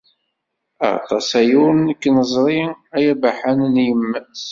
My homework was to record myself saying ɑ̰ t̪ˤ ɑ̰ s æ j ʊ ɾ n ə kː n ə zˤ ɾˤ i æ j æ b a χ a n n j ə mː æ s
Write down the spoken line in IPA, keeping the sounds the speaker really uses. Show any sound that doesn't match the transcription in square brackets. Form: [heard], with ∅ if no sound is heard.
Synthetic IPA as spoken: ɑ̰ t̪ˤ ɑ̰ s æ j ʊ ɾ n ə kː n ə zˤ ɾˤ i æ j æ b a [ħ] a n n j ə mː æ s